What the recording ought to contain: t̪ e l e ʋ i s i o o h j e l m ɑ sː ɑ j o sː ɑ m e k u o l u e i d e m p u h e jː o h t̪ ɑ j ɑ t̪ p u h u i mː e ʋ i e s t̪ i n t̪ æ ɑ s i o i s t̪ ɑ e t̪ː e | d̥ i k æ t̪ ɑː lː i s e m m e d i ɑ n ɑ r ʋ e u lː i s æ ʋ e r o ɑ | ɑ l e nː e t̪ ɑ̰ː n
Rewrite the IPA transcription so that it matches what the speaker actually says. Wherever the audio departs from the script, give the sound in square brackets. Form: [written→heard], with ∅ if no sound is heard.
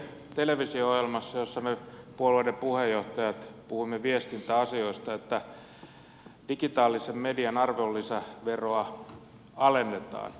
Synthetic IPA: t̪ e l e ʋ i s i o o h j e l m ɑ sː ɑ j o sː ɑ m e [k→p] u o l u e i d e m p u h e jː o h t̪ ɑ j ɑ t̪ p u h u i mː e ʋ i e s t̪ i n t̪ æ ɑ s i o i s t̪ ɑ e t̪ː [e→æ] | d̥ i k [æ→i] t̪ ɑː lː i s e m m e d i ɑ n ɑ r ʋ e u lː i s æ ʋ e r o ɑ | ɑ l e nː e t̪ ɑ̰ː n